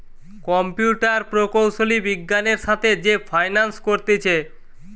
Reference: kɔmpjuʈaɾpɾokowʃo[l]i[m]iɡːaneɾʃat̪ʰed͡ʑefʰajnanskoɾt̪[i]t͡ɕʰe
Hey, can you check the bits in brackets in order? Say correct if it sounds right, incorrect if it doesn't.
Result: correct, incorrect: b, incorrect: e

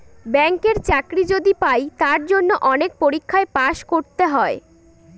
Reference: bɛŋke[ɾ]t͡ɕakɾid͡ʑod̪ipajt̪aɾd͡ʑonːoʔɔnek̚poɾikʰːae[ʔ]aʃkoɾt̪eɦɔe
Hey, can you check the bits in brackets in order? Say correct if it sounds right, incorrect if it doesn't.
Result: correct, incorrect: p

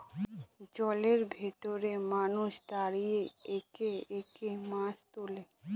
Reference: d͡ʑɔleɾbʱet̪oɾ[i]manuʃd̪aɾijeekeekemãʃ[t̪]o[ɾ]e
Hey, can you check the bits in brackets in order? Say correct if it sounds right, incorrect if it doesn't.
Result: incorrect: e, correct, incorrect: l

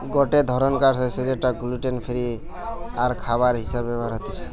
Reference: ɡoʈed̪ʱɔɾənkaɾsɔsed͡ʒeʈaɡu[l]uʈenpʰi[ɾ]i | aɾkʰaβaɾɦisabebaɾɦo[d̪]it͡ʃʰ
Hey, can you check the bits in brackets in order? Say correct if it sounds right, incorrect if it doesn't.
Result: correct, correct, incorrect: t̪

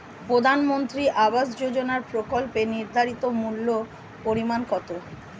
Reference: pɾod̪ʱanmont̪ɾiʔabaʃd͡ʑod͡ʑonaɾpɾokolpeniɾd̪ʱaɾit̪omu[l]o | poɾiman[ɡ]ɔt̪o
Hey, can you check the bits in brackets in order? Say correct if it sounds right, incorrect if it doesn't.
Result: incorrect: lː, incorrect: k

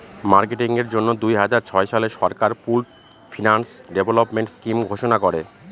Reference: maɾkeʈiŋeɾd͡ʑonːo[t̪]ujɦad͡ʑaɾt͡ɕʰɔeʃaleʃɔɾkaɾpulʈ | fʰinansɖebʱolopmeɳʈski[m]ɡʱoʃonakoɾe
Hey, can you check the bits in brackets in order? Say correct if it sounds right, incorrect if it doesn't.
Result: incorrect: d̪, correct

